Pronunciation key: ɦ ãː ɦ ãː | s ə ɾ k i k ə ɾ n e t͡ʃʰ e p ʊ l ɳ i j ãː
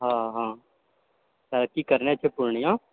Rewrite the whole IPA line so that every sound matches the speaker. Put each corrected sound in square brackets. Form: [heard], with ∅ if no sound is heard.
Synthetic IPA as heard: ɦ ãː ɦ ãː | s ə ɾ k i k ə ɾ n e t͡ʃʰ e p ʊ [ɾ] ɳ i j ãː